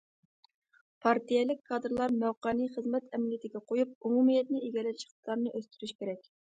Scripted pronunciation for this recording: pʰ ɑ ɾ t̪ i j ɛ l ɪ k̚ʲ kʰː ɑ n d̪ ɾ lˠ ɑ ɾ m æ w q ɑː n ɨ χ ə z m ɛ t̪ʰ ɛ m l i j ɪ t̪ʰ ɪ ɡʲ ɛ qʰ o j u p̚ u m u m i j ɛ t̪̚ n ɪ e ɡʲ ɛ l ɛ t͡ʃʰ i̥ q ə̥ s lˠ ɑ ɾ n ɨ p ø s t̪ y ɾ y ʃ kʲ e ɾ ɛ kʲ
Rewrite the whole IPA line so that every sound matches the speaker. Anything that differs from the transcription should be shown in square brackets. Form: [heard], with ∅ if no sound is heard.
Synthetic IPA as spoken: pʰ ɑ ɾ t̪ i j ɛ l ɪ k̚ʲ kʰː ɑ [∅] d̪ ɾ lˠ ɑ ɾ m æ w q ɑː n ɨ χ ə z m ɛ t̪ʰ ɛ m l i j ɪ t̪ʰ ɪ ɡʲ ɛ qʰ o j u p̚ u m u m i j ɛ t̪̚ n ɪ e ɡʲ ɛ l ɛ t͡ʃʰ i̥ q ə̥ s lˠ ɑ ɾ n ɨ [ʔ] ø s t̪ y ɾ y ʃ kʲ e ɾ ɛ kʲ

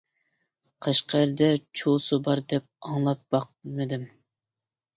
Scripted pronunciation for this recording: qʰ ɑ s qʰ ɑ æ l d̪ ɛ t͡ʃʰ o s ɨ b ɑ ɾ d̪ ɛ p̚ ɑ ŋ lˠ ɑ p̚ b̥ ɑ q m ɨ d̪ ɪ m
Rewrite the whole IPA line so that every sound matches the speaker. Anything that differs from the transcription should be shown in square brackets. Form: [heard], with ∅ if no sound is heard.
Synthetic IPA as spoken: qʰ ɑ [ʃ] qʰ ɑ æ [ɾ] d̪ ɛ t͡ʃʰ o s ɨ b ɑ ɾ d̪ ɛ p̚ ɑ ŋ lˠ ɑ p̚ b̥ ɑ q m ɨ d̪ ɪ m

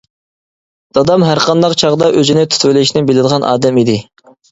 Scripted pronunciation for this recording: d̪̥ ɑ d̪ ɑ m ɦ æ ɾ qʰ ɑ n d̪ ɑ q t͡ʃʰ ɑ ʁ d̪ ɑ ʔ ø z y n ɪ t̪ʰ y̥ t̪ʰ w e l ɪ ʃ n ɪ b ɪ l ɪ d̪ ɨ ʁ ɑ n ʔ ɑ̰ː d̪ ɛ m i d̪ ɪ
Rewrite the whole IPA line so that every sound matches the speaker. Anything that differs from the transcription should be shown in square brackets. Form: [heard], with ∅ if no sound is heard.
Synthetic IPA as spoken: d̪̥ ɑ d̪ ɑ m ɦ æ ɾ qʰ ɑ n d̪ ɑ q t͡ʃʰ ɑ ʁ d̪ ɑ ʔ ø z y n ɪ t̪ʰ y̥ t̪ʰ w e l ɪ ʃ n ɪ b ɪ l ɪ d̪ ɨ ʁ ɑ n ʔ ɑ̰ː d̪ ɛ m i d̪ ɪ

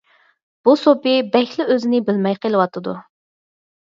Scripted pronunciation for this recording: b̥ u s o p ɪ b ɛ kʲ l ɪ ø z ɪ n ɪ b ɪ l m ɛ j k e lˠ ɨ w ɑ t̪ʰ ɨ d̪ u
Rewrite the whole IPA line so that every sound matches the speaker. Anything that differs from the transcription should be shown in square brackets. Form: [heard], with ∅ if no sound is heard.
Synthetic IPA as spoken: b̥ u s o p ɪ b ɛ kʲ l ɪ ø z ɪ n ɪ b ɪ l m ɛ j [q] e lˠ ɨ w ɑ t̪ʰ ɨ d̪ u

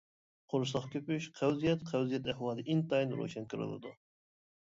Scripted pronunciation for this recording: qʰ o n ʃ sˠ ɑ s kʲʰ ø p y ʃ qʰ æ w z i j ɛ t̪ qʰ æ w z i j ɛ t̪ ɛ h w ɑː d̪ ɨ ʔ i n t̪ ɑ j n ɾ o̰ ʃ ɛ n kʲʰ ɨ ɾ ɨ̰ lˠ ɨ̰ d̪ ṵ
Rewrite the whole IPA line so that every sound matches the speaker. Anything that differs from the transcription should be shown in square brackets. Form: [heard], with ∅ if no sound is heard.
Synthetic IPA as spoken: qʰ o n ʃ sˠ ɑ [χ] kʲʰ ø p y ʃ qʰ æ w z i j ɛ t̪ qʰ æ w z i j ɛ t̪ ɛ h w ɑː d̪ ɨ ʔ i n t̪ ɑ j n ɾ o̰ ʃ ɛ n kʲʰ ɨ ɾ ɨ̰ lˠ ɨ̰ d̪ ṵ

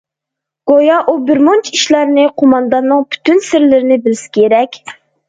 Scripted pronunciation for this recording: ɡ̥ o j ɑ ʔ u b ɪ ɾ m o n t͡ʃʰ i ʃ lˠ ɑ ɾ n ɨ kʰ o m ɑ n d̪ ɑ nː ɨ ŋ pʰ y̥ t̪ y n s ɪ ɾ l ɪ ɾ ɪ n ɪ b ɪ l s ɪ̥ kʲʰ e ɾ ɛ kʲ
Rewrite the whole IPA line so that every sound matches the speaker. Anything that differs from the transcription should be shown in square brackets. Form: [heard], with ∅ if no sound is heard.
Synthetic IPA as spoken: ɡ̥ o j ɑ ʔ u b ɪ ɾ m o n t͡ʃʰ i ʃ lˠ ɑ ɾ n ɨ [qʰ] o m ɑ n d̪ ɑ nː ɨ ŋ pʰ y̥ t̪ y n s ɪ ɾ l ɪ ɾ ɪ n ɪ b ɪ l s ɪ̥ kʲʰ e ɾ ɛ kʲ

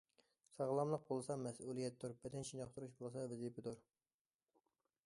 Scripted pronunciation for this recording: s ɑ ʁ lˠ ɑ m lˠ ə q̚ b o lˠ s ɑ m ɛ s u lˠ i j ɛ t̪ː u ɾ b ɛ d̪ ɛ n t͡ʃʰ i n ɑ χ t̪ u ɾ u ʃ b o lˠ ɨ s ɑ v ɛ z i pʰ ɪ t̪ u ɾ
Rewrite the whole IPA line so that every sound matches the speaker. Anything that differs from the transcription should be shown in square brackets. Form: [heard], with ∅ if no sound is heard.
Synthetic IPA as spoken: s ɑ ʁ lˠ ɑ m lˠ ə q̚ b o lˠ s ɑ m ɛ s u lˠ i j ɛ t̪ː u ɾ b ɛ d̪ ɛ n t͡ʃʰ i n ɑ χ t̪ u ɾ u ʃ b o lˠ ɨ s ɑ v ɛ z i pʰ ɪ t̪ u ɾ

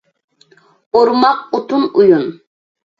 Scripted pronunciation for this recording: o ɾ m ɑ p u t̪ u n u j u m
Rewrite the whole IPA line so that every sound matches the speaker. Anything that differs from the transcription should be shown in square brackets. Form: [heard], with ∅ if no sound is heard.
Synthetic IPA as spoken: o ɾ m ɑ [q] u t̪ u n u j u [n]

